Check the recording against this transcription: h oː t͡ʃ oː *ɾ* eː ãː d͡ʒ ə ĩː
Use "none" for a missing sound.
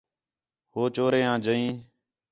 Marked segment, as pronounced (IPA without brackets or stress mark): ɾ